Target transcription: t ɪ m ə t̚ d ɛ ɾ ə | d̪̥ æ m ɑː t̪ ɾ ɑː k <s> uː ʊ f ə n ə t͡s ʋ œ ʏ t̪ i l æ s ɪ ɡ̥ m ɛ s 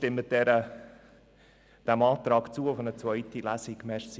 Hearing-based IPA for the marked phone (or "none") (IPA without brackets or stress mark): t͡s